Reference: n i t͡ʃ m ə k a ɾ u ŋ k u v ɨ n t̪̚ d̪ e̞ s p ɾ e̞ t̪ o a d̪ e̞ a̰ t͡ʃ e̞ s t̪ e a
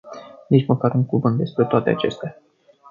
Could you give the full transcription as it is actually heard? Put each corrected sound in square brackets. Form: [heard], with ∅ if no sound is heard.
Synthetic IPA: n i t͡ʃ m ə k a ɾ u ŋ k u v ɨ n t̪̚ d̪ e̞ s p ɾ e̞ t̪ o a [t̪] e̞ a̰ t͡ʃ e̞ s t̪ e a